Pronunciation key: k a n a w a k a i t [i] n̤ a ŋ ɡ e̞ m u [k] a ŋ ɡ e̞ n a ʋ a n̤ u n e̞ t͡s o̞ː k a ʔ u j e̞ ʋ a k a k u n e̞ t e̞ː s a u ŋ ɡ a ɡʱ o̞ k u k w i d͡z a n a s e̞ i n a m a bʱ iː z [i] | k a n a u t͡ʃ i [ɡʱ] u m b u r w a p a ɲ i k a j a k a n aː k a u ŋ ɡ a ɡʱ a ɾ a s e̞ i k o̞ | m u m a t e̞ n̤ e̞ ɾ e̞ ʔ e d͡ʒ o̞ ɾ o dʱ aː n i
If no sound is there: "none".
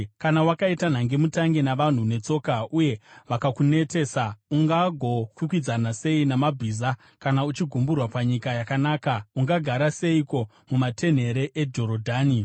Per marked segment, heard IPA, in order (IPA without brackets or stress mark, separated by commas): a, t, a, ɡʱ